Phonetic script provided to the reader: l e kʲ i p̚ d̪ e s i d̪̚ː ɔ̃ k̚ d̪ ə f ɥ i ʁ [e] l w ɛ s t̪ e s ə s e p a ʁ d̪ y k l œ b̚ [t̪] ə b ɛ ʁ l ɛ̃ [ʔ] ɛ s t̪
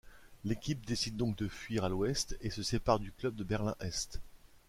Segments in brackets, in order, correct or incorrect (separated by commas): incorrect, incorrect, correct